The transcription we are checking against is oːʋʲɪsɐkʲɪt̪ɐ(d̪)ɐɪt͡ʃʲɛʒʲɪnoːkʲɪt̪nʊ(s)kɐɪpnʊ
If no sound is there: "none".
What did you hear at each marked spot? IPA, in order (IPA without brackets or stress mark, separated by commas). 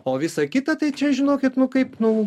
t̪, none